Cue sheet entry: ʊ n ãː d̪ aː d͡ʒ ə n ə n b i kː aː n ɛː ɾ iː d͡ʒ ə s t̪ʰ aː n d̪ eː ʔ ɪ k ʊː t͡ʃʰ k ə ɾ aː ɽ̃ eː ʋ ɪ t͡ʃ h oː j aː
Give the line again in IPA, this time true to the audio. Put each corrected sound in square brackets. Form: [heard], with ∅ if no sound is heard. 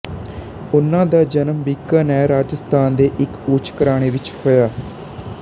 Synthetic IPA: ʊ n ãː d̪ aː d͡ʒ ə n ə [m] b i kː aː n ɛː ɾ [aː] d͡ʒ ə s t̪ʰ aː n d̪ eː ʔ ɪ k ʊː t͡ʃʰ k ə ɾ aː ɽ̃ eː ʋ ɪ t͡ʃ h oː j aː